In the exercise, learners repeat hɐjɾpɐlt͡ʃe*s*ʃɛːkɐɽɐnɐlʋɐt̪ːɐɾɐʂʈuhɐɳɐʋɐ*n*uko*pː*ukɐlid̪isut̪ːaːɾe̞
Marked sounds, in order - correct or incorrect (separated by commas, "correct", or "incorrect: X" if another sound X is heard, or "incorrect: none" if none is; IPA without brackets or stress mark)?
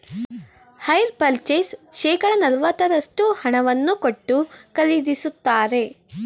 correct, incorrect: nː, incorrect: ʈː